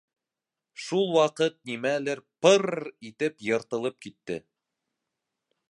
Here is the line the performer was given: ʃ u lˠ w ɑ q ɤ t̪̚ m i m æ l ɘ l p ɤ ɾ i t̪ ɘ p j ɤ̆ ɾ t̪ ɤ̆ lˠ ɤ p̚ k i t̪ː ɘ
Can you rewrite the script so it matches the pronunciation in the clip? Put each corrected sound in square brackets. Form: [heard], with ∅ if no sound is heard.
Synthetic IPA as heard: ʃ u lˠ w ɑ q ɤ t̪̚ [n] i m æ l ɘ [ɾ] p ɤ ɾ i t̪ ɘ p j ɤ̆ ɾ t̪ ɤ̆ lˠ ɤ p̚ k i t̪ː ɘ